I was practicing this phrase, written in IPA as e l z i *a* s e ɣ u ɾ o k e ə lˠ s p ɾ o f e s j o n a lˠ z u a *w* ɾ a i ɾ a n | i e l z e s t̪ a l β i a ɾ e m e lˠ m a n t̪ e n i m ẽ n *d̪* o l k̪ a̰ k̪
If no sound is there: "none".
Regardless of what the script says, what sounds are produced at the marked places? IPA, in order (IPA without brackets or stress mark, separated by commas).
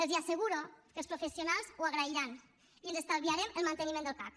a, ɣ, d̪